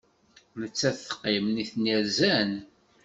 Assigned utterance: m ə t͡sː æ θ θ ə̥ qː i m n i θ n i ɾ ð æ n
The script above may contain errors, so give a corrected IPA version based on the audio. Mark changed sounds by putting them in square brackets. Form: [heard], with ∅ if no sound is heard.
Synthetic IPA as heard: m ə t͡sː æ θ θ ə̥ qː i m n i θ n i ɾ [z] æ n